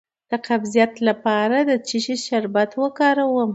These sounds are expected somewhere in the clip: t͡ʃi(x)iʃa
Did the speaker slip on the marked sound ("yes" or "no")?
yes